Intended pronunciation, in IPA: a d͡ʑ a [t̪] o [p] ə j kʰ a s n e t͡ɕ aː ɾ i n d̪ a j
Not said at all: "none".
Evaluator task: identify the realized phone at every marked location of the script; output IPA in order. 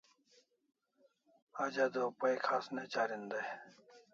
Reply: d̪, p

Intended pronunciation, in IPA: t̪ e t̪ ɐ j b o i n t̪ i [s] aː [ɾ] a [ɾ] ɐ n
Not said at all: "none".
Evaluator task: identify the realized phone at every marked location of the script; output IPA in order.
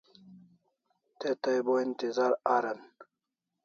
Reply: z, ɾ, ɾ

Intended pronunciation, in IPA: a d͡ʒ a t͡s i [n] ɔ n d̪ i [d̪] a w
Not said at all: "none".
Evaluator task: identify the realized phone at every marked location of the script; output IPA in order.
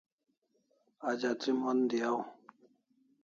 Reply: m, none

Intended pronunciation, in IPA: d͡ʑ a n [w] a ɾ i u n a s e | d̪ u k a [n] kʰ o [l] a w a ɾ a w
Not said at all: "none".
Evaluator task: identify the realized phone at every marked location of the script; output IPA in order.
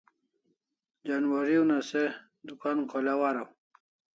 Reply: w, n, l

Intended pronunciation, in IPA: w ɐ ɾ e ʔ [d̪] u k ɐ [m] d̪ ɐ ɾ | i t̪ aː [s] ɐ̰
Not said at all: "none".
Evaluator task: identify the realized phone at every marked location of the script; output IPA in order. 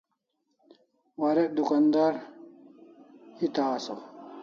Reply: d̪, n, s

